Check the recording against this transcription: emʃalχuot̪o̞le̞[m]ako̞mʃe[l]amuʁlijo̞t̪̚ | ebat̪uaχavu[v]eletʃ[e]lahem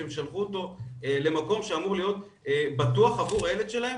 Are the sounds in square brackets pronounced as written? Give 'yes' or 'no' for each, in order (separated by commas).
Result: yes, no, no, yes